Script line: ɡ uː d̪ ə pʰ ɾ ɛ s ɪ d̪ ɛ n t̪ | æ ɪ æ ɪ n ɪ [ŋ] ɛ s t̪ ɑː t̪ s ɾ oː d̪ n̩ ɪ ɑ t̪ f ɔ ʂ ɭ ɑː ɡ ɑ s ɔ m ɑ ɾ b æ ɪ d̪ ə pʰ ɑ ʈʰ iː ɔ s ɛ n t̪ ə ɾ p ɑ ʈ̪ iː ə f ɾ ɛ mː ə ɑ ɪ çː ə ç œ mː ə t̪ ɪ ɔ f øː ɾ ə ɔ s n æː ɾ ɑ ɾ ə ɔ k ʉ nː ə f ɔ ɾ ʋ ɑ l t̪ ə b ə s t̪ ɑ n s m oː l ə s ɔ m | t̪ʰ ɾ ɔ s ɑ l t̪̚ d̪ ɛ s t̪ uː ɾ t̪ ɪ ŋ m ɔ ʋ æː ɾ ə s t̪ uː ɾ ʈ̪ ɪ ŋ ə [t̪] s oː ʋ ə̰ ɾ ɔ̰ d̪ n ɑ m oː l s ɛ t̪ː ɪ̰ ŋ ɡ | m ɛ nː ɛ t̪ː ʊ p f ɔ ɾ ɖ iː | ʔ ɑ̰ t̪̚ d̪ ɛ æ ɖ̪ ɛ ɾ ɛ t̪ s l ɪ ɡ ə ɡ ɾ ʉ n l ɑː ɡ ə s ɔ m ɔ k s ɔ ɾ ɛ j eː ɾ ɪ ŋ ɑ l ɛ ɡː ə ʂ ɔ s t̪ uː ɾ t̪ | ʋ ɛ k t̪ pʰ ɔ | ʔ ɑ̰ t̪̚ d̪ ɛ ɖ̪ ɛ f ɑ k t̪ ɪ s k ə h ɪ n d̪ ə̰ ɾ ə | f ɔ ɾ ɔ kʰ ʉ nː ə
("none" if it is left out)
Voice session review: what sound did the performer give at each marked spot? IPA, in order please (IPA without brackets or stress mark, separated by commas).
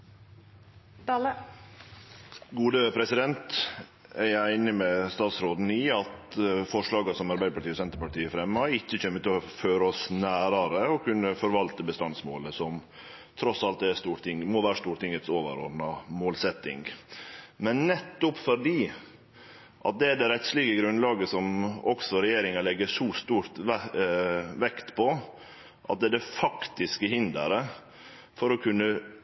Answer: m, t̪